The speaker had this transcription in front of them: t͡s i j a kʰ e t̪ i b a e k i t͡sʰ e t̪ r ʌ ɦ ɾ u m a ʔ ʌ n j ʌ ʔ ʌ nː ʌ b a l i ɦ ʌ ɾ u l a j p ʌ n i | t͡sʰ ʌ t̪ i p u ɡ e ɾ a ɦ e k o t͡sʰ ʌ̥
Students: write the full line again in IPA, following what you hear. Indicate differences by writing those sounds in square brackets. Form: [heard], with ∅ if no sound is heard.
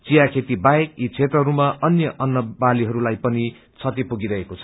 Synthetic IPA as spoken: t͡s i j a kʰ e t̪ i b a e k i t͡sʰ e t̪ r ʌ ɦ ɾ u m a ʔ ʌ n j ʌ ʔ ʌ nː ʌ b a l i ɦ ʌ ɾ u l a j p ʌ n i | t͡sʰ ʌ t̪ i p u ɡ [i] ɾ [ʌ] ɦ e k o t͡sʰ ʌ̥